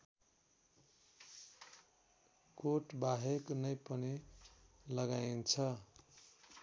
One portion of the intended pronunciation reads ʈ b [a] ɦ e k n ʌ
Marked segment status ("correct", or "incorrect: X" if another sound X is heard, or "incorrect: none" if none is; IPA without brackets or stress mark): correct